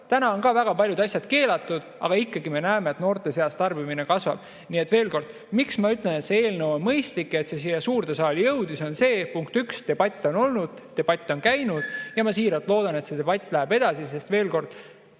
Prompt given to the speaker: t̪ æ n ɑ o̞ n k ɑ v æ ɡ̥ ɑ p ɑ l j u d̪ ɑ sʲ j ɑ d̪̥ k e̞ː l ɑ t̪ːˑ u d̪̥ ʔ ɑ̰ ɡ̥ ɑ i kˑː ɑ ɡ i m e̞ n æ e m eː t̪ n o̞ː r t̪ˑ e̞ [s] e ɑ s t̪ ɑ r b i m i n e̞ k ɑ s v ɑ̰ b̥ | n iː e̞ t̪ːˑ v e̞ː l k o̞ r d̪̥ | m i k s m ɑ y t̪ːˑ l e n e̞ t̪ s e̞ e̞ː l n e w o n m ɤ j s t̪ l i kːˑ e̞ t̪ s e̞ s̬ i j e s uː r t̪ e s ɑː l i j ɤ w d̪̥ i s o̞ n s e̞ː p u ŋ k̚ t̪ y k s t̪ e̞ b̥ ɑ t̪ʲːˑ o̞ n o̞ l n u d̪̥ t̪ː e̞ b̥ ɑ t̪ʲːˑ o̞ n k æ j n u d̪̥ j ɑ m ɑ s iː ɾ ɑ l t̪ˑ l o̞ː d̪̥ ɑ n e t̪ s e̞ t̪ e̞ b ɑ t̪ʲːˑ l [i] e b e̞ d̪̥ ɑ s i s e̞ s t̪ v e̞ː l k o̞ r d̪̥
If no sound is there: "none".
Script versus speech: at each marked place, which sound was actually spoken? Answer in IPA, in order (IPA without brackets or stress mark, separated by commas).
s, æ